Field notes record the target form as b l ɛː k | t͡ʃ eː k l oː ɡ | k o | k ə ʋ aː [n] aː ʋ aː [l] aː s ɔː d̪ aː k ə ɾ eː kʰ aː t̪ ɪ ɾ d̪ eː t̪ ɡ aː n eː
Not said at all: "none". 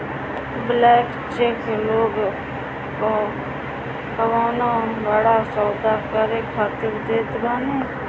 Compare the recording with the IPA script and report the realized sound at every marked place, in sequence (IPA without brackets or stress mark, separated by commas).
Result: n, ɽ